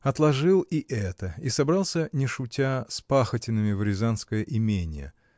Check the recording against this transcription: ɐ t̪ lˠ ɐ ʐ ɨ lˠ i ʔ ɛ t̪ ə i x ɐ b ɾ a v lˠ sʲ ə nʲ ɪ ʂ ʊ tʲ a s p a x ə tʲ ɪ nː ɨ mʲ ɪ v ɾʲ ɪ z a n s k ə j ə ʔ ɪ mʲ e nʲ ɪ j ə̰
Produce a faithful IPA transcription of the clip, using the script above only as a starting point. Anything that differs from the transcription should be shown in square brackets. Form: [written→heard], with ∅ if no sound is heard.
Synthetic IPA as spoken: ɐ t̪ lˠ ɐ ʐ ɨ lˠ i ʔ ɛ t̪ ə i [x→s] ɐ b ɾ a [v→∅] lˠ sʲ ə nʲ ɪ ʂ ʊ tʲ a s p a x ə tʲ ɪ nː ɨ mʲ ɪ v ɾʲ ɪ z a n s k ə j ə ʔ ɪ mʲ e nʲ ɪ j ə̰